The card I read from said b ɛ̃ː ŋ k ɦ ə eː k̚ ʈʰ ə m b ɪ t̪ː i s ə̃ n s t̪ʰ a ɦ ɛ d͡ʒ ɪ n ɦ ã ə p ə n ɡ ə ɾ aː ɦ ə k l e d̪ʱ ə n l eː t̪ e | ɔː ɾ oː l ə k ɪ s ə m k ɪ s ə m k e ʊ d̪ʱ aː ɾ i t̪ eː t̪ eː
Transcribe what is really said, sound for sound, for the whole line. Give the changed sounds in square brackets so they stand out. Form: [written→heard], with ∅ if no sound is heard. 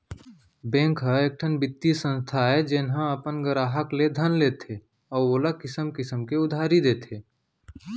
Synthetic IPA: b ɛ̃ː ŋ k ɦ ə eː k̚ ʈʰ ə [m→n] b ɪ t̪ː i s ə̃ n s t̪ʰ a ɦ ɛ d͡ʒ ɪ n ɦ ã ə p ə n ɡ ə ɾ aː ɦ ə k l e d̪ʱ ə n l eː t̪ e | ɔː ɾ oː l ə k ɪ s ə m k ɪ s ə m k e ʊ d̪ʱ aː ɾ i [t̪→d̪] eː t̪ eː